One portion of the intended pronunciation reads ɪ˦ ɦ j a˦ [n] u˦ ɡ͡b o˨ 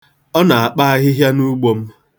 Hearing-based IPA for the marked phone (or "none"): n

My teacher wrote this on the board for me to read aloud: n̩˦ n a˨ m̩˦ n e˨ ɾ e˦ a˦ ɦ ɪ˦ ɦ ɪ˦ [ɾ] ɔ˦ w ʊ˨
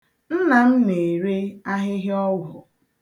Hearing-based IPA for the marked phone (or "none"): none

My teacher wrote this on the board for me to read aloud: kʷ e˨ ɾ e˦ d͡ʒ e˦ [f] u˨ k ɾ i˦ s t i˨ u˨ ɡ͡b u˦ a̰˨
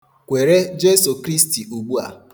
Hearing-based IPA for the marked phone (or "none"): s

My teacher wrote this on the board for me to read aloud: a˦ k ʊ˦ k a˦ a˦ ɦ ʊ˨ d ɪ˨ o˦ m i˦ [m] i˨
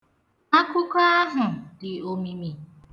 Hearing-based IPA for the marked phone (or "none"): m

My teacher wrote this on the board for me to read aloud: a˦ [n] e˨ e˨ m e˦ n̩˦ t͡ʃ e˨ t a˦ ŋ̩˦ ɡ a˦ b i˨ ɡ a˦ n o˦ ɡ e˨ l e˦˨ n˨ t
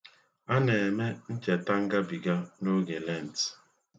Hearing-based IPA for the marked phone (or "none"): n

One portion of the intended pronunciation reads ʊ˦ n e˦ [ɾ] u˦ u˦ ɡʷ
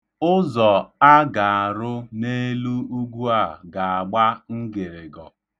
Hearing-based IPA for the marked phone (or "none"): l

